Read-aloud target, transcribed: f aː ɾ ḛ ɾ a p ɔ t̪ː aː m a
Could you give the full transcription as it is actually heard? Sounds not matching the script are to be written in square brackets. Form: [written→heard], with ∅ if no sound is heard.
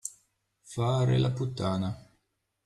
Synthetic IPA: f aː ɾ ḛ [ɾ→l] a p [ɔ→u] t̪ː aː [m→n] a